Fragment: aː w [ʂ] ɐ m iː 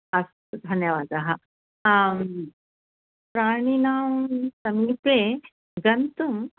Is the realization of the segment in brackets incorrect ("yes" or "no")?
yes